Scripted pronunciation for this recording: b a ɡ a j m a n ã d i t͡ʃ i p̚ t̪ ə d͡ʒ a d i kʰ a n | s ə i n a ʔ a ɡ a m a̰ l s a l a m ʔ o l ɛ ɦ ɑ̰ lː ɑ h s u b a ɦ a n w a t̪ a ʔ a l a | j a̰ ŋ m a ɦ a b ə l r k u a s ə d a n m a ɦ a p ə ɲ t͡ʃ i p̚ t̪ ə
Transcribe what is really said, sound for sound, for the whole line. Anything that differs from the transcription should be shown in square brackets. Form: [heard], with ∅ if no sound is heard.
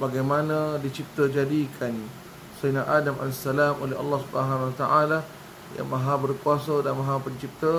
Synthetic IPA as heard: b a ɡ a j m a n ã d i t͡ʃ i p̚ t̪ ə d͡ʒ a d i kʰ a n | s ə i n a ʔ a [d] a m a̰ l s a l a m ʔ o l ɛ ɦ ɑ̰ lː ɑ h s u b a ɦ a n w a t̪ a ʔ a l a | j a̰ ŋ m a ɦ a b ə [∅] r k u a s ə d a n m a ɦ a p ə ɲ t͡ʃ i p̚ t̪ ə